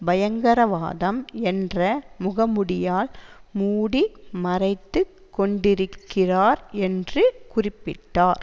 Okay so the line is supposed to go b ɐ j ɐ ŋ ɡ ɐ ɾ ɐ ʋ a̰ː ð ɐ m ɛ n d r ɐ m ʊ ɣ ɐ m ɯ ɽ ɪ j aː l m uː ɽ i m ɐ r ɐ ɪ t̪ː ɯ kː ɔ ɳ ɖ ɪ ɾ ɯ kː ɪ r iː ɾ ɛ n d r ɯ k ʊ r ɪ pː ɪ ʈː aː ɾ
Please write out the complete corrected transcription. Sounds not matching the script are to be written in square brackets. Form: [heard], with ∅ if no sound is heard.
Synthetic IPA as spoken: b ɐ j ɐ ŋ ɡ ɐ ɾ ɐ ʋ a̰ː ð ɐ m ɛ n d r ɐ m ʊ ɣ ɐ m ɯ ɽ ɪ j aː l m uː ɽ i m ɐ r ɐ ɪ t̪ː ɯ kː ɔ ɳ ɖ ɪ ɾ ɯ kː ɪ r [aː] ɾ ɛ n d r ɯ k ʊ r ɪ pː ɪ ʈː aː ɾ